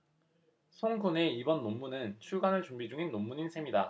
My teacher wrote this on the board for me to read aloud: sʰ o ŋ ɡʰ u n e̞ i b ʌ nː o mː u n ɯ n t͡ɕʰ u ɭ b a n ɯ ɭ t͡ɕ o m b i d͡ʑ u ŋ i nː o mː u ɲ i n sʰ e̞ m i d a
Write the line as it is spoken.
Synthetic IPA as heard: sʰ o ŋ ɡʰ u n e̞ i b ʌ nː o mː u n ɯ n t͡ɕʰ u ɭ ɡ a n ɯ ɭ t͡ɕ u m b i d͡ʑ u ŋ i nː o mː u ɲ i n sʰ e̞ m i d a